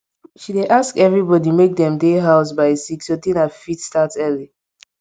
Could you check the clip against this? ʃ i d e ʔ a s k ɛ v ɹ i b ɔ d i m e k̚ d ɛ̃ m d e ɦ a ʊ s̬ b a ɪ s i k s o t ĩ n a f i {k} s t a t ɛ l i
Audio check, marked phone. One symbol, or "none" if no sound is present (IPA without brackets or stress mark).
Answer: t